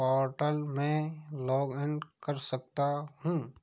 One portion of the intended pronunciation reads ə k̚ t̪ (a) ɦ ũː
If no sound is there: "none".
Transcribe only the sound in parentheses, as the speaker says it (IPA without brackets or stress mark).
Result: a